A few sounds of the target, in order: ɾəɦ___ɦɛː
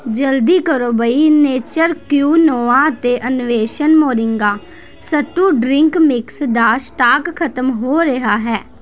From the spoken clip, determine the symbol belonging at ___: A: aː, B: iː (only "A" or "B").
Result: A